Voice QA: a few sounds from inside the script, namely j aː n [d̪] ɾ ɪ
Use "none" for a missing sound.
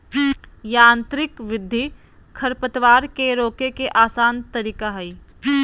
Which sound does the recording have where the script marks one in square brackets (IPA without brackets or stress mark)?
t̪